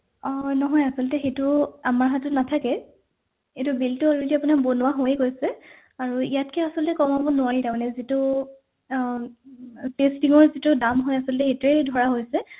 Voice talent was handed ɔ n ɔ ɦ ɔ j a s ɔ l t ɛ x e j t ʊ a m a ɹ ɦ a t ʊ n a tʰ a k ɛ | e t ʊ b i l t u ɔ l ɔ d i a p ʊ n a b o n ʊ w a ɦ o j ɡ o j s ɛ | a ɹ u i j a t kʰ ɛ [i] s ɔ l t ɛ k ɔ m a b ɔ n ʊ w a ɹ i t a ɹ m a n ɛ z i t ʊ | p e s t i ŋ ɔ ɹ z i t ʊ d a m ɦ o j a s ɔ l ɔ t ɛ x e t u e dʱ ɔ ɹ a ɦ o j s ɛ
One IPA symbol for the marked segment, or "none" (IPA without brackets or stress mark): a